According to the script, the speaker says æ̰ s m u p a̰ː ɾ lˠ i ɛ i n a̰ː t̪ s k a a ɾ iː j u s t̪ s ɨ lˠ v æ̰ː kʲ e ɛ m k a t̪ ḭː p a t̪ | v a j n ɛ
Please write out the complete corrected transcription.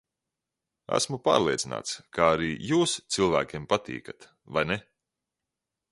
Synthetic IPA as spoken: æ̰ s m u p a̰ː ɾ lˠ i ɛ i n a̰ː t̪ s k a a ɾ iː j uː s t̪ s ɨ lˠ v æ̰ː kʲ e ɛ m p a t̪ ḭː k a t̪ | v a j n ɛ